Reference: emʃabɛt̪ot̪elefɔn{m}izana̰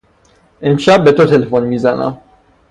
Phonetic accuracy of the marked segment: correct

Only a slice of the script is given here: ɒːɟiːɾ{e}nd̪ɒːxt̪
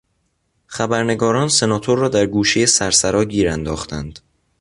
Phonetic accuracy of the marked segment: incorrect: æ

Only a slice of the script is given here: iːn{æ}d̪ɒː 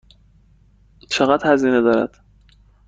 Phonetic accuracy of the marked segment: incorrect: e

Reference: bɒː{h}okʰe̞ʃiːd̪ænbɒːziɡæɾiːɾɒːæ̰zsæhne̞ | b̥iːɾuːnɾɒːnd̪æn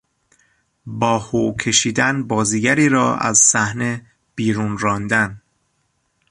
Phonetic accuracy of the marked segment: correct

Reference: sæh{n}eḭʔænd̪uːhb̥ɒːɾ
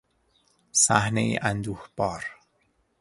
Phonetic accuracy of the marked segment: correct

